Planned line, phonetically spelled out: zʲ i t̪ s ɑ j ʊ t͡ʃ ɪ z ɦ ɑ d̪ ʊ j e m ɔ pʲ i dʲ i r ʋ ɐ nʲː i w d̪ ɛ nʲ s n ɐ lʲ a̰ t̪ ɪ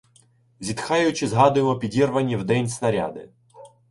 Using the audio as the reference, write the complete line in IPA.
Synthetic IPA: zʲ i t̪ x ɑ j ʊ t͡ʃ ɪ z ɦ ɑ d̪ ʊ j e m ɔ pʲ i dʲ i r ʋ ɐ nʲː i w d̪ ɛ nʲ s n ɐ ɾʲ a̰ d̪ ɪ